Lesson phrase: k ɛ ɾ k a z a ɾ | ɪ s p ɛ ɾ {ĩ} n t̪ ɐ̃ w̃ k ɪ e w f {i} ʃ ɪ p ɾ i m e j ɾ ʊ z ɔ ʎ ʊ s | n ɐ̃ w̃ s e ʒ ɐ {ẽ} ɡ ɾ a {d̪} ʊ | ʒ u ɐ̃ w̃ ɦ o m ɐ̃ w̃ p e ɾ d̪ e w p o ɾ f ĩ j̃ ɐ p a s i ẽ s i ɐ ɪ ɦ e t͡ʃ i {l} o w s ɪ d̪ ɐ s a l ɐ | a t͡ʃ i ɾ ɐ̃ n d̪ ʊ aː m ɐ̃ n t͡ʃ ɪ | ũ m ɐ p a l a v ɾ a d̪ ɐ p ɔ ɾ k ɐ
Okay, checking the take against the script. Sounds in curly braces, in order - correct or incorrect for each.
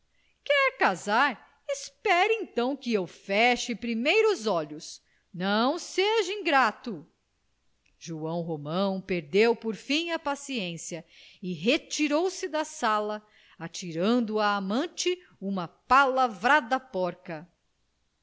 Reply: incorrect: ẽ, incorrect: ɛ, incorrect: ĩ, incorrect: t̪, incorrect: ɾ

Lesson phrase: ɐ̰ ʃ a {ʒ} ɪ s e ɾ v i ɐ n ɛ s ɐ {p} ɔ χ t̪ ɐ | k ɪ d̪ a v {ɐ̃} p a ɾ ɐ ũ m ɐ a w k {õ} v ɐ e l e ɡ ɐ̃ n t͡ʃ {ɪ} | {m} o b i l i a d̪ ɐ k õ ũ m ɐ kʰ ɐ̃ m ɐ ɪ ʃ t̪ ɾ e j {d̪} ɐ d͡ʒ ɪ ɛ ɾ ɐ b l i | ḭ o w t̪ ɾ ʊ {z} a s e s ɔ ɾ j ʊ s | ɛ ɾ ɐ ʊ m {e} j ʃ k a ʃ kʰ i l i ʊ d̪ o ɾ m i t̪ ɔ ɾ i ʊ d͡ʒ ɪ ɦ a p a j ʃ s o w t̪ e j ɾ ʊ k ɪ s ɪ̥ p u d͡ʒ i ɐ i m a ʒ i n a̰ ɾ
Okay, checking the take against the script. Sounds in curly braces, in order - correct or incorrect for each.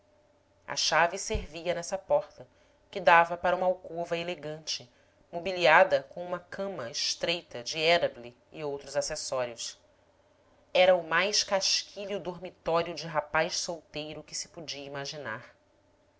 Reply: incorrect: v, correct, incorrect: ɐ, incorrect: o, correct, correct, incorrect: t̪, correct, incorrect: a

